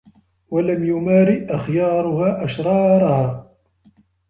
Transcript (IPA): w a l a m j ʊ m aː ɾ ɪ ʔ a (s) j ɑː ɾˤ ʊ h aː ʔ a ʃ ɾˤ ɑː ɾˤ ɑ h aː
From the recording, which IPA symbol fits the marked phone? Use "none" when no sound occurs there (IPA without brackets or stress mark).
x